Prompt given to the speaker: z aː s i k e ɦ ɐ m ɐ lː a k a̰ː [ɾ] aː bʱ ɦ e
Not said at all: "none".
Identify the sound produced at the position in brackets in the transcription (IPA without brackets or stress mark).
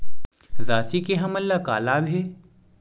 l